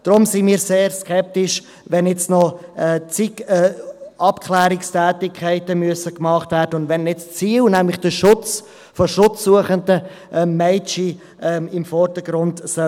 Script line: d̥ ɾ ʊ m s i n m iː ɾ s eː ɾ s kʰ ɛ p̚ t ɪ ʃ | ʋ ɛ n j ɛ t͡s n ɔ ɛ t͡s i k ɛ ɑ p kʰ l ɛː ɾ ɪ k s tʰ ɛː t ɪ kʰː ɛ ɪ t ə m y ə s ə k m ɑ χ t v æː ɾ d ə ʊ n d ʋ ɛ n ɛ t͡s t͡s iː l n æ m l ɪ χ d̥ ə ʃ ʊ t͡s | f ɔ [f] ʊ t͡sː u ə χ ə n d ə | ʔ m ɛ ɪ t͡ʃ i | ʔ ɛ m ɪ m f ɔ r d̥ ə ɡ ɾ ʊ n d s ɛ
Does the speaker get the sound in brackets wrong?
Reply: yes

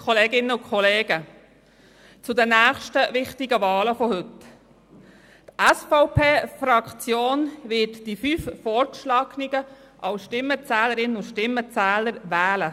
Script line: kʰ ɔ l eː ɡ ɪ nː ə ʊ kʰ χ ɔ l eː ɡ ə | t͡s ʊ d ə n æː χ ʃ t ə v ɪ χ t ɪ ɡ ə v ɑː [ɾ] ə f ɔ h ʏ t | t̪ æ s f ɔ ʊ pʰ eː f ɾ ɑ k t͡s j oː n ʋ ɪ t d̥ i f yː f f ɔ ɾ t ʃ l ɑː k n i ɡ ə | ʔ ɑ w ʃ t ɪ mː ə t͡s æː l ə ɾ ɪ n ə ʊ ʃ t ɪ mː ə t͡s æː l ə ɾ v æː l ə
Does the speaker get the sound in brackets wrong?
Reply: yes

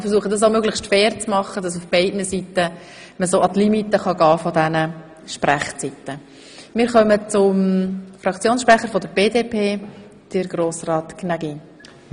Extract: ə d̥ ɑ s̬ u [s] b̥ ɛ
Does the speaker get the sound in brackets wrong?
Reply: yes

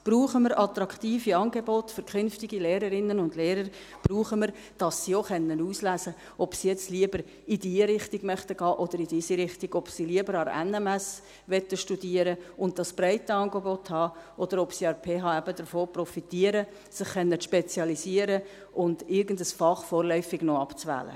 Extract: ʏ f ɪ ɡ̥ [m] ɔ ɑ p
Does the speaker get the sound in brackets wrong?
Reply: yes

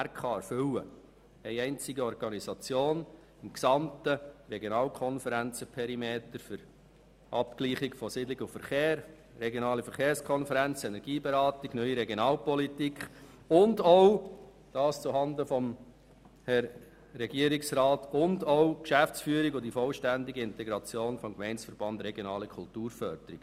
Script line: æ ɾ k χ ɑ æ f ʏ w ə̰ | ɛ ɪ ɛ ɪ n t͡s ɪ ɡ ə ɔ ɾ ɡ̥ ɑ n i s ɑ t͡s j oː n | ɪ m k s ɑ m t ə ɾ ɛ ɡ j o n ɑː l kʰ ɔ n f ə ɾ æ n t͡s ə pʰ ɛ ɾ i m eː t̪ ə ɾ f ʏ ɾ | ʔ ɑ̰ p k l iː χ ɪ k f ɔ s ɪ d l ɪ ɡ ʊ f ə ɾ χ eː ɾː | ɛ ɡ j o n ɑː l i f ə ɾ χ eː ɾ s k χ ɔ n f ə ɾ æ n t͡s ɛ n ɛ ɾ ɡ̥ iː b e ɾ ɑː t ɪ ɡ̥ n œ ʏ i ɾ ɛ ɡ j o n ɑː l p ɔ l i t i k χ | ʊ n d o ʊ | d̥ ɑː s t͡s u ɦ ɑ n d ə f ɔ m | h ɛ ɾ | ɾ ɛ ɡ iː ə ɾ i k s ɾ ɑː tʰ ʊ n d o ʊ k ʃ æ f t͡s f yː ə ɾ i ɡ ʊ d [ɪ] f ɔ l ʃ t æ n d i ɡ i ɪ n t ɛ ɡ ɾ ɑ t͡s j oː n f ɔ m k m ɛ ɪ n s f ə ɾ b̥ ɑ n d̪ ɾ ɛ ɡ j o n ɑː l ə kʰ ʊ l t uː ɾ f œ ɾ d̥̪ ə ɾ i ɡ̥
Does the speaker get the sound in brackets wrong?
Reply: yes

